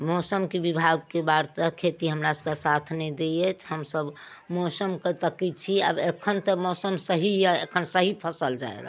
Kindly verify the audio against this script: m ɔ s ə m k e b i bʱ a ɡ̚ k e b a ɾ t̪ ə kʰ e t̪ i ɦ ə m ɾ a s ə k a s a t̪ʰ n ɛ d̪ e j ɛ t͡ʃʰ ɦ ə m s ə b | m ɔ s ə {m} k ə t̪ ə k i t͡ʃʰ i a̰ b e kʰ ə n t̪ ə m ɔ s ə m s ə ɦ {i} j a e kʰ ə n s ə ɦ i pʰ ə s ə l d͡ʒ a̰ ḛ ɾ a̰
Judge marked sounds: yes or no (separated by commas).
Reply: yes, yes